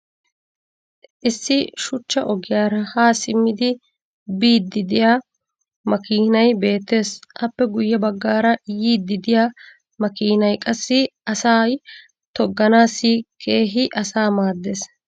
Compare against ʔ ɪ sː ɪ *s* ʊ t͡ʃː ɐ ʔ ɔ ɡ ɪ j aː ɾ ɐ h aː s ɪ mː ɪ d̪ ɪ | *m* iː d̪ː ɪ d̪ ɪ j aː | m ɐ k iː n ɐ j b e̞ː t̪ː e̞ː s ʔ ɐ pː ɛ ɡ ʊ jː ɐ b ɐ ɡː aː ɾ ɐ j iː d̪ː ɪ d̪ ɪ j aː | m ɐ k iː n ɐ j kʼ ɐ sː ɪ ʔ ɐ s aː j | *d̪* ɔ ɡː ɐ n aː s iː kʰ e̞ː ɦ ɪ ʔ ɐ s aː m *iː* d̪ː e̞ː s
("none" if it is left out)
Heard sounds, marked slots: ʃ, b, t̪, aː

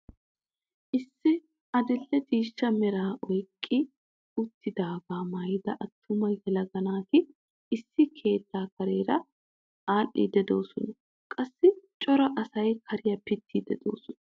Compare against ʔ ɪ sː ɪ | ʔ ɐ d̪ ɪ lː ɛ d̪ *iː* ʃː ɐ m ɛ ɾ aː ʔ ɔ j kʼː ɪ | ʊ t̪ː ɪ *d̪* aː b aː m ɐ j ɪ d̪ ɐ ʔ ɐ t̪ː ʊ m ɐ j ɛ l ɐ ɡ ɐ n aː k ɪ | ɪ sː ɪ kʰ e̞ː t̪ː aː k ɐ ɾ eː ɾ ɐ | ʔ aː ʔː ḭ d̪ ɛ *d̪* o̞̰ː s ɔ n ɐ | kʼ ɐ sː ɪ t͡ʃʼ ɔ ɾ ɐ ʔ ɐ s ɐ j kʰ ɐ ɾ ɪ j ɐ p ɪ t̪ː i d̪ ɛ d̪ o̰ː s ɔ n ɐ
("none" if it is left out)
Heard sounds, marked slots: iː, d̪, d̪

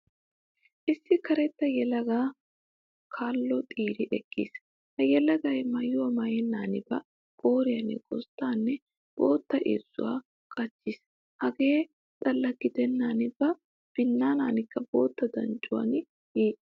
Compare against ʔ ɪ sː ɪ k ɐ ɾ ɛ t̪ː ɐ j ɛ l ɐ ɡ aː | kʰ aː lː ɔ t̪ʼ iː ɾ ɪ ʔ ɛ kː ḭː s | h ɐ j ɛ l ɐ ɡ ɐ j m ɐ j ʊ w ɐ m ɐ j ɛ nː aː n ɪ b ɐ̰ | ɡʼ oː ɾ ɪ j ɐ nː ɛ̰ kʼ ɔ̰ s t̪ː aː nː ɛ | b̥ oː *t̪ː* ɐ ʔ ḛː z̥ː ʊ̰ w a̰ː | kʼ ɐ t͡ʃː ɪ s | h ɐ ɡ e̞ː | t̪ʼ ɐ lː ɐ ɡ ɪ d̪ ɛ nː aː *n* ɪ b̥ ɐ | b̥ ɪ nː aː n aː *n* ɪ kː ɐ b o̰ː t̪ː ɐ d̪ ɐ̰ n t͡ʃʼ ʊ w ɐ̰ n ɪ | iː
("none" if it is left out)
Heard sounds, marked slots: t̪ː, n, n

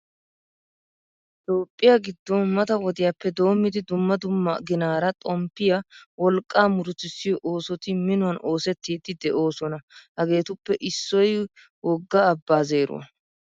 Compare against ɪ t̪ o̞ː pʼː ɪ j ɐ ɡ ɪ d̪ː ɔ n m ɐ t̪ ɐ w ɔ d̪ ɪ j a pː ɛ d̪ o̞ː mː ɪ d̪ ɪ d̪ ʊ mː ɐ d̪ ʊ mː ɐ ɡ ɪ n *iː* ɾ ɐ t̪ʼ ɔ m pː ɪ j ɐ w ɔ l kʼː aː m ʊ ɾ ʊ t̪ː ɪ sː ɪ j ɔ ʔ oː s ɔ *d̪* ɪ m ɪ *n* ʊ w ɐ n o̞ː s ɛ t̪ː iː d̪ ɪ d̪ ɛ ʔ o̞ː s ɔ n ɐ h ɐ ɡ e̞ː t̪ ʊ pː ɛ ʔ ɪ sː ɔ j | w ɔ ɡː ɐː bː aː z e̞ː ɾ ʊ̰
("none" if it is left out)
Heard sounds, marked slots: aː, t̪, n

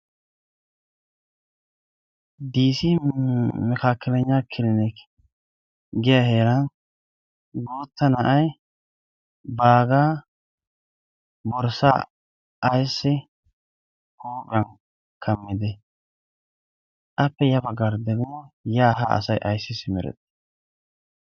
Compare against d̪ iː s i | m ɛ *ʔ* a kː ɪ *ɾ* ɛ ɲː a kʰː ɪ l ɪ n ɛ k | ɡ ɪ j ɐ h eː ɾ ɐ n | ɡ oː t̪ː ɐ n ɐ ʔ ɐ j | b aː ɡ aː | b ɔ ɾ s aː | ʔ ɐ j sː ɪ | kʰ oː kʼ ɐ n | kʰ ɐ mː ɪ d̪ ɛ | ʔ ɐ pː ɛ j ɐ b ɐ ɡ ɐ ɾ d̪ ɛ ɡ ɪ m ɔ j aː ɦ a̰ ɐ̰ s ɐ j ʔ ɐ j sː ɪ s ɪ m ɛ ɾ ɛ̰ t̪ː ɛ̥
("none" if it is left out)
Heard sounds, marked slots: k, l

